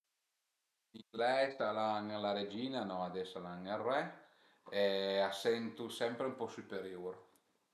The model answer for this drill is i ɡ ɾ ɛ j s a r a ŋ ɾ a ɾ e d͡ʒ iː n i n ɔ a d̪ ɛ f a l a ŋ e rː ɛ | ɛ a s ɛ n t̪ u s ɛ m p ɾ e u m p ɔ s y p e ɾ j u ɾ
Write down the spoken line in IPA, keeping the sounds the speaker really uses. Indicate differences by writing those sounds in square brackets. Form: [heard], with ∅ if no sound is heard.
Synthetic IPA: i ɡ [l] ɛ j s a [l] a ŋ [l] a ɾ e d͡ʒ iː n [a] n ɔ a d̪ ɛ [s] a l a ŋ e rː ɛ | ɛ a s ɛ n t̪ u s ɛ m p ɾ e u m p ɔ s y p e ɾ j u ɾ